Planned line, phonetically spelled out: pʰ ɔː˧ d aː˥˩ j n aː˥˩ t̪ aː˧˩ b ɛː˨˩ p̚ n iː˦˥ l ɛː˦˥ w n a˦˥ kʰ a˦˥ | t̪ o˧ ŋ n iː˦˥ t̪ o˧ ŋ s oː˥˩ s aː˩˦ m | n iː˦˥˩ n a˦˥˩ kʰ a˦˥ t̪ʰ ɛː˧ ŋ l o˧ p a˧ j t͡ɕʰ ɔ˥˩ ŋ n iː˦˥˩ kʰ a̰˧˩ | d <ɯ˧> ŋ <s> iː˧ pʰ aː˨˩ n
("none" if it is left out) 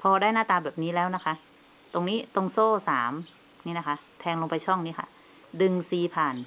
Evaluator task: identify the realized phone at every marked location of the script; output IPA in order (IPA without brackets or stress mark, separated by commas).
ɯ˧, s